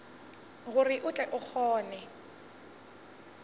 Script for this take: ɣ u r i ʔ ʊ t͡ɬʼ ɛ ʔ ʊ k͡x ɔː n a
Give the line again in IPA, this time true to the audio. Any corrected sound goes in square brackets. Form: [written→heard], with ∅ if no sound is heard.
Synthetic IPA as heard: ɣ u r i ʔ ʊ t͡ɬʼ ɛ ʔ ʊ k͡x ɔː n [a→ɛ]